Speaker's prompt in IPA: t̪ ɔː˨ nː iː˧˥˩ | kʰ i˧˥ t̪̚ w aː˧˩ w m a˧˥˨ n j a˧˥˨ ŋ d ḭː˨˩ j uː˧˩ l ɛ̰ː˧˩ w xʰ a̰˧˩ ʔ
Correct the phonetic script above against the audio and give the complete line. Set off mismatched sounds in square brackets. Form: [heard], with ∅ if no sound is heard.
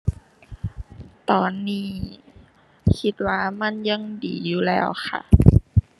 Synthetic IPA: t̪ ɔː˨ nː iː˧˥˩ | kʰ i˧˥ t̪̚ w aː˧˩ [∅] m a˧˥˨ n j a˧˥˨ ŋ d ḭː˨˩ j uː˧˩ l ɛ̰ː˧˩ w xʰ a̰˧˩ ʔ